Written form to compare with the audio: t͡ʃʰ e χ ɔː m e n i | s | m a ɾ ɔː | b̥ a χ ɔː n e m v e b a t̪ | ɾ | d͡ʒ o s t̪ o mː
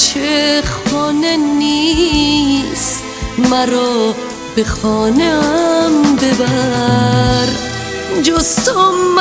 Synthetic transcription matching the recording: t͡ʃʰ e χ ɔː n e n i | s | m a ɾ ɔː | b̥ e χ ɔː n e m b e b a | ɾ | d͡ʒ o s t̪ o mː